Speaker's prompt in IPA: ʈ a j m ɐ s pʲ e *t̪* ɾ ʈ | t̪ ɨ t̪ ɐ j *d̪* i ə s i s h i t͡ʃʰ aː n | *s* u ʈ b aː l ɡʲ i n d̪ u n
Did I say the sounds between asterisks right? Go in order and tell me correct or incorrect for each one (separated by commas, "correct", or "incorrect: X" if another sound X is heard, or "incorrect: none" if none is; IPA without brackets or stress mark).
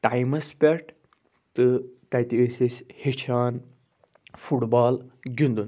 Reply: incorrect: none, incorrect: t̪, incorrect: f